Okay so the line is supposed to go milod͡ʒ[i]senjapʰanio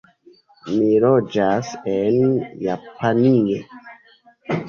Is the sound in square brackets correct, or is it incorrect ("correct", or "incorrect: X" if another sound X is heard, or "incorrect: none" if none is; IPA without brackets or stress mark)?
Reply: incorrect: a